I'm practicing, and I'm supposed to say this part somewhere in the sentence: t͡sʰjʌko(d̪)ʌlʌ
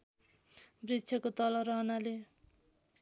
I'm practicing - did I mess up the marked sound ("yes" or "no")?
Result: yes